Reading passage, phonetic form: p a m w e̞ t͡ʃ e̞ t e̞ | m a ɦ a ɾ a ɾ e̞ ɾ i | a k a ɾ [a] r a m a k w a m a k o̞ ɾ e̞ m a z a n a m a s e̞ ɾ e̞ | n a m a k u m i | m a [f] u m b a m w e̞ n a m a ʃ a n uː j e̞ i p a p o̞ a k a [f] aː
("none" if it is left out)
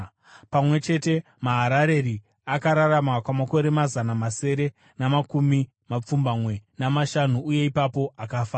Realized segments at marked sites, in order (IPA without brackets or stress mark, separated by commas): a, p͡f, f